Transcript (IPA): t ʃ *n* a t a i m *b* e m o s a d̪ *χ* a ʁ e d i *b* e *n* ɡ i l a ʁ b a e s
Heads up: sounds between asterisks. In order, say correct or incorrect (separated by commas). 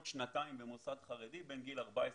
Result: correct, correct, correct, correct, correct